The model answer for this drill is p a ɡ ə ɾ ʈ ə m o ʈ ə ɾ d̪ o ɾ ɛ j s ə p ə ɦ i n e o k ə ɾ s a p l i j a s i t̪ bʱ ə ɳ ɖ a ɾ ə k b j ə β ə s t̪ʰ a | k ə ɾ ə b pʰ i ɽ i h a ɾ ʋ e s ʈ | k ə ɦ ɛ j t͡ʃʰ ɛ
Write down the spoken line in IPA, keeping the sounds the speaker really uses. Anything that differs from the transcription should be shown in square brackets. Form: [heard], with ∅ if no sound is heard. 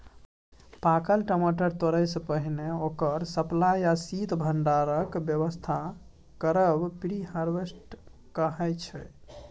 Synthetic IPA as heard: p a [k] ə [l] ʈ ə m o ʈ ə ɾ [t̪] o ɾ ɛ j s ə p ə ɦ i n e o k ə ɾ s [ə] p l [a] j a s i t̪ bʱ ə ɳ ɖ a ɾ ə k b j ə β ə s t̪ʰ a | k ə ɾ ə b [p] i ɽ i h a ɾ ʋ e s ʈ | k ə ɦ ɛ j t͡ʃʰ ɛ